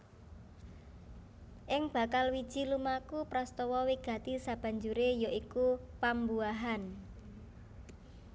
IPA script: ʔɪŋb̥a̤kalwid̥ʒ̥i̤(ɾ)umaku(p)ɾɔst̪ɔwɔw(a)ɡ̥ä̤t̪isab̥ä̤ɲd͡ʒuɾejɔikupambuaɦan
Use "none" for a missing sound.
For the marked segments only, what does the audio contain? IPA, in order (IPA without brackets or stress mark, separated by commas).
l, p, i